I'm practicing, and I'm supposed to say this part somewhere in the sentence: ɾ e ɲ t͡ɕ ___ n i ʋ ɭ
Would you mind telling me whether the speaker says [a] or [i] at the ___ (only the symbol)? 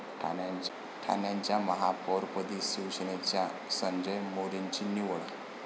i